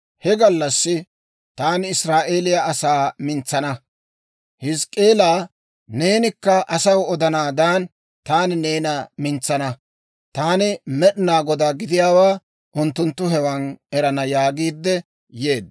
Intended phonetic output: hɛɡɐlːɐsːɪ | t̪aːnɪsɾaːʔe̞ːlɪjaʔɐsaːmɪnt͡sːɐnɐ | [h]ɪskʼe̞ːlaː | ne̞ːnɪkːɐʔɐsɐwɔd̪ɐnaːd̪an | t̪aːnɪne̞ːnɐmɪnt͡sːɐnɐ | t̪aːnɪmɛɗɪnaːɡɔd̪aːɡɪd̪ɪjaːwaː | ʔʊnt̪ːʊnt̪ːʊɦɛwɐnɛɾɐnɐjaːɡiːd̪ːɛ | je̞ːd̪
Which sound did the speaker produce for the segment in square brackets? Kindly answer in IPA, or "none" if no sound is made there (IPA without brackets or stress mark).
h